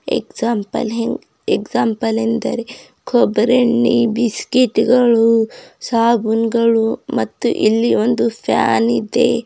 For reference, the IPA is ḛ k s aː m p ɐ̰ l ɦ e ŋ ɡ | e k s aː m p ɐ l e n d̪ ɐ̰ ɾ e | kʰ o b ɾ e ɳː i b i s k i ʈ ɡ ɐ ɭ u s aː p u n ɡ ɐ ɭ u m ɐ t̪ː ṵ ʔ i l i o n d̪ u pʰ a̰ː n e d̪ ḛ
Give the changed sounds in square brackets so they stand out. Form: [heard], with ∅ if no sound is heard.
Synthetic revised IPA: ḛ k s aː m p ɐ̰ l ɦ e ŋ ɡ | e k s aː m p ɐ l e n d̪ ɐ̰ ɾ e | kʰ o b ɾ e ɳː i b i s k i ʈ ɡ ɐ ɭ u s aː [b] u n ɡ ɐ ɭ u m ɐ t̪ː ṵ ʔ i [lː] i o n d̪ u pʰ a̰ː n [i] d̪ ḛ